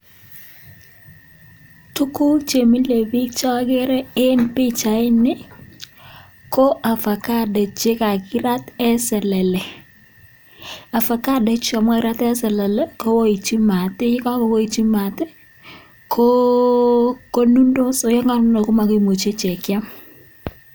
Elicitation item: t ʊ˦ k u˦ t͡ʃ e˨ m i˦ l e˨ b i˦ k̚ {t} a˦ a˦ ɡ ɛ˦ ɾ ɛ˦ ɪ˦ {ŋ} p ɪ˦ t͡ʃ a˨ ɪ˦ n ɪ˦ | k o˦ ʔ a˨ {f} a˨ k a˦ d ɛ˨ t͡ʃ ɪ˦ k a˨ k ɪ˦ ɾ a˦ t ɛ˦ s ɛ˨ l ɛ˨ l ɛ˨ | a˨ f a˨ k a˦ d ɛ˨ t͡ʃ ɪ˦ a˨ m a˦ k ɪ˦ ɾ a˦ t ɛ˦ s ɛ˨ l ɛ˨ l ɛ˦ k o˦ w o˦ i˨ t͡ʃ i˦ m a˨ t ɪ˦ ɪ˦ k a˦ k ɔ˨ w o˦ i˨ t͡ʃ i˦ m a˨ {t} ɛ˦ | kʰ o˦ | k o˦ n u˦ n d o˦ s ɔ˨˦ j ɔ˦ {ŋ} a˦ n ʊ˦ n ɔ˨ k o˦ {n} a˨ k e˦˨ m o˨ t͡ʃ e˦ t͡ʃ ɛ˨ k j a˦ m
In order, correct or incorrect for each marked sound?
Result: incorrect, incorrect, correct, correct, correct, incorrect

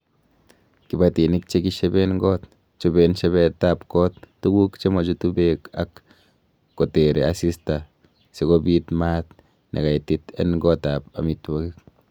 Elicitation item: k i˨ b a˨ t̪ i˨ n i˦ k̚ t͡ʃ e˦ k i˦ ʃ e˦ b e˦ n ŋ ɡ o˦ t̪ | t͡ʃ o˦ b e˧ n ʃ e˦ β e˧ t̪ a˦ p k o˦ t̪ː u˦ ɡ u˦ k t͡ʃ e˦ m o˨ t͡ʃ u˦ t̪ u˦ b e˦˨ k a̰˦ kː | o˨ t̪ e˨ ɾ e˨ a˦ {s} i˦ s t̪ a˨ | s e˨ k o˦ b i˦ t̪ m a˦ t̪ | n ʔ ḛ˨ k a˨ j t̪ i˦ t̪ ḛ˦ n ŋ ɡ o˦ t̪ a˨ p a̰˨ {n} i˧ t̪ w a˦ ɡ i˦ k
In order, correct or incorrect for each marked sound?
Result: correct, incorrect

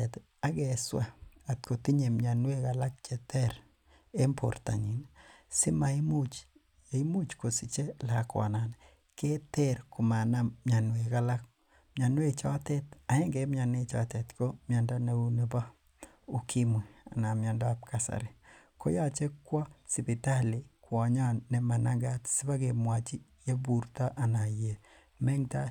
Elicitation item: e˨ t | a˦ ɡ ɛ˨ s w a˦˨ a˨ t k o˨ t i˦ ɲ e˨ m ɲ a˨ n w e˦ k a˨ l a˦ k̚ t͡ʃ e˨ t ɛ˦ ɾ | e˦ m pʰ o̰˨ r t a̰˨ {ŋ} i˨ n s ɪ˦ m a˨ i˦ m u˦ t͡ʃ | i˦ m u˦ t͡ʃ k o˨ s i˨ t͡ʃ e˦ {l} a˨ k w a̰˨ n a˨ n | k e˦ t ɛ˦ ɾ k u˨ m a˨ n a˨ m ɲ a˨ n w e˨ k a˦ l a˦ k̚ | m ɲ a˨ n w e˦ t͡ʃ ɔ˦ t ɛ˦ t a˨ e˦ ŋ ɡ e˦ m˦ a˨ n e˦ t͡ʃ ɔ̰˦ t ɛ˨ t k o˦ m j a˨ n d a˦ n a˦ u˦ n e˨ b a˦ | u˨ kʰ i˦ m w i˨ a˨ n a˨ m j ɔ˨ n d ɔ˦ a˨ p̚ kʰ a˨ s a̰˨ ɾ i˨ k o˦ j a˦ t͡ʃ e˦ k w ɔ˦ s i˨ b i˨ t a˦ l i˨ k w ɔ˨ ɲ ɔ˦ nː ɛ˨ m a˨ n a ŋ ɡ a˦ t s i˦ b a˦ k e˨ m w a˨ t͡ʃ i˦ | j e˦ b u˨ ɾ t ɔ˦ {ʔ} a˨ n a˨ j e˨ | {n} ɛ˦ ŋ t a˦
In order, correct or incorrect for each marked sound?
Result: incorrect, correct, correct, incorrect

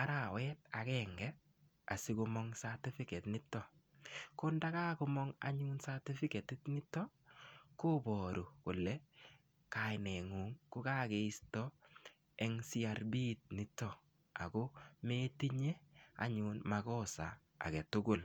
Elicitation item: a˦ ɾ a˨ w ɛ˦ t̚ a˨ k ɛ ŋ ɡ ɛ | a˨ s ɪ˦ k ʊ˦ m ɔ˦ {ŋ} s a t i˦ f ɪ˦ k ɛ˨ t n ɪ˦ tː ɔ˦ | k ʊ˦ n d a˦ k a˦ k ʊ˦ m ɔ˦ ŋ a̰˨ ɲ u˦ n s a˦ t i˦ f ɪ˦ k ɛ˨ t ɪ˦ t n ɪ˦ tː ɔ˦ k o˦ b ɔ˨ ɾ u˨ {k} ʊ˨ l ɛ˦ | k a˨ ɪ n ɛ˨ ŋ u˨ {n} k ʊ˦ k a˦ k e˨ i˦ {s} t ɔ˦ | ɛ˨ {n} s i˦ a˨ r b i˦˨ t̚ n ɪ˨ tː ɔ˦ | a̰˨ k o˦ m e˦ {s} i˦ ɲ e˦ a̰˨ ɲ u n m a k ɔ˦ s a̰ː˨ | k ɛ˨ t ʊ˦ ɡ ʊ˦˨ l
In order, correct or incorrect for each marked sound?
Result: correct, correct, incorrect, correct, incorrect, incorrect

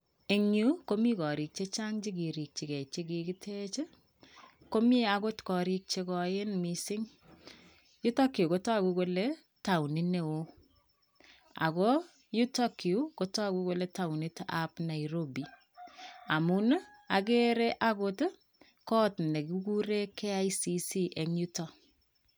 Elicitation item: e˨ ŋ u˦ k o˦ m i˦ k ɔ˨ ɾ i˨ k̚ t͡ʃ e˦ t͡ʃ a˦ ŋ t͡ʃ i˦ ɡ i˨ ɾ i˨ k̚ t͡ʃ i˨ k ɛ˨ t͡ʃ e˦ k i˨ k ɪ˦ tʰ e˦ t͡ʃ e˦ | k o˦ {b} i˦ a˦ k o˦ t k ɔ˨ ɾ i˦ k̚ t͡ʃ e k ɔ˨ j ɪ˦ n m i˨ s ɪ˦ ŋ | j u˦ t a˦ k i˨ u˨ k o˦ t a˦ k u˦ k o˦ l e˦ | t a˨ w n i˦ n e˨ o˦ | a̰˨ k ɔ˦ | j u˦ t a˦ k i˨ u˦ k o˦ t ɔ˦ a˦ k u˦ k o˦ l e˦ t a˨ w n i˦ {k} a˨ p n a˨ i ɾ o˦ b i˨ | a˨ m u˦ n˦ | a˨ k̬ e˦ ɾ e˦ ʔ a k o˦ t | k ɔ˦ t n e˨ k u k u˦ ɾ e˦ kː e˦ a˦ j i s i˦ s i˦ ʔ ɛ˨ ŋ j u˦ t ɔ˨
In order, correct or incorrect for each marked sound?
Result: incorrect, incorrect

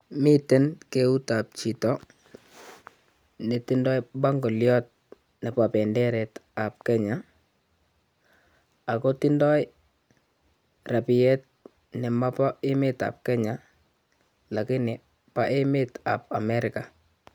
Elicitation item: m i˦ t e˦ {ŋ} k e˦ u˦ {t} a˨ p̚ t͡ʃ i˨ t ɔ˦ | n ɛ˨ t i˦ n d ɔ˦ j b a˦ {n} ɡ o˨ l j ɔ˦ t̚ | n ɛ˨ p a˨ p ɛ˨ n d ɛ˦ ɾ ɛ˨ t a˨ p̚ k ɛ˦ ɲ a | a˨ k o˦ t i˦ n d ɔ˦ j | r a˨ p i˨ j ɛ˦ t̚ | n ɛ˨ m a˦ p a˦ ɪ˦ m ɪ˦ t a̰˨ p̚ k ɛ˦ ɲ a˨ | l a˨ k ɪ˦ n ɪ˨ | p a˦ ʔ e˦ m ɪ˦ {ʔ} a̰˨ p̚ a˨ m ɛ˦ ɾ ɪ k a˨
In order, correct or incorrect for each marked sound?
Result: incorrect, correct, incorrect, incorrect

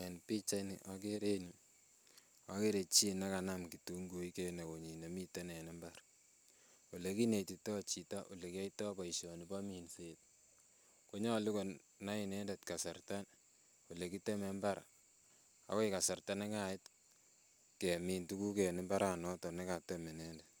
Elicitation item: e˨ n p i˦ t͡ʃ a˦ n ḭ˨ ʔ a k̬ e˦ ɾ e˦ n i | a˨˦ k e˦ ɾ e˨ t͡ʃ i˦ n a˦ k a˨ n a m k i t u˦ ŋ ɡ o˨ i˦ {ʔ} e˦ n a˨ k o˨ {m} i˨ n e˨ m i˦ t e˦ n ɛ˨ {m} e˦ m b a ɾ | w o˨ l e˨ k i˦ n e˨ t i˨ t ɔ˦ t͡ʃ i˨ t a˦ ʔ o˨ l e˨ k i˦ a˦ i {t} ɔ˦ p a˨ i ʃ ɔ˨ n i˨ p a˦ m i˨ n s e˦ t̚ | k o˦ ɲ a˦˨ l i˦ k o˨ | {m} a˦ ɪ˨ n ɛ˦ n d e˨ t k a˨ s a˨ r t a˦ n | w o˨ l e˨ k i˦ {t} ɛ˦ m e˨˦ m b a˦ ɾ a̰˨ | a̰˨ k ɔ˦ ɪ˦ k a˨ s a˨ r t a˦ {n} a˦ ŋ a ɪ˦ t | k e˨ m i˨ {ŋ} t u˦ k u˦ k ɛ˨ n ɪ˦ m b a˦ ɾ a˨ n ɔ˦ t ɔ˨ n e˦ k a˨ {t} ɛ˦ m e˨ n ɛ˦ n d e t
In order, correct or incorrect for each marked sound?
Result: incorrect, incorrect, incorrect, correct, incorrect, correct, correct, incorrect, correct

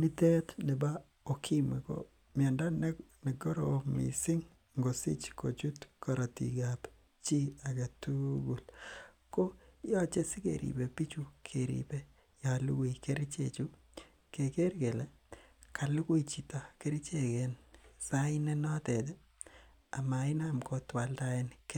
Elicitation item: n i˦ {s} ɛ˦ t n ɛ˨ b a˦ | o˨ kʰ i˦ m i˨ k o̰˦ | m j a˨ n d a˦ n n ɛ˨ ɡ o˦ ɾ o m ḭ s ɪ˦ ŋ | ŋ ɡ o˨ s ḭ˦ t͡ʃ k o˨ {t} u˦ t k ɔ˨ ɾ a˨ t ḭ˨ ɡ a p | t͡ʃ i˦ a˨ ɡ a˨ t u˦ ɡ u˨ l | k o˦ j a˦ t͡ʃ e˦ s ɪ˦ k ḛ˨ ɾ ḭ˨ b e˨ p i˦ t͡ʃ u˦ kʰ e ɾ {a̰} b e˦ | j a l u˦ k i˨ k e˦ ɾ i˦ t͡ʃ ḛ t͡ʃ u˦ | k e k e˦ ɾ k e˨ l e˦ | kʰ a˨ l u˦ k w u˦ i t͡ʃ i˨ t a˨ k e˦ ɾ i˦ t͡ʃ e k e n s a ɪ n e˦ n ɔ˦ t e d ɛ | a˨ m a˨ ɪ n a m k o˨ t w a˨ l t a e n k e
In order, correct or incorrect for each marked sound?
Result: incorrect, incorrect, incorrect

